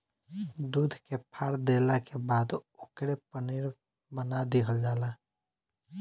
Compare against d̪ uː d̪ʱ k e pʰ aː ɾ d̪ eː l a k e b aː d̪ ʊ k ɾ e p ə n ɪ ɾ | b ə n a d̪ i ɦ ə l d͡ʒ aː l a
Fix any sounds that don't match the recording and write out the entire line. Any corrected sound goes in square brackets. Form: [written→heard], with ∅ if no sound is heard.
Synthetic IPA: d̪ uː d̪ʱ k e pʰ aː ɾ d̪ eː l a k e b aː d̪ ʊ k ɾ e p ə n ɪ ɾ | b ə n a d̪ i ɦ ə l d͡ʒ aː l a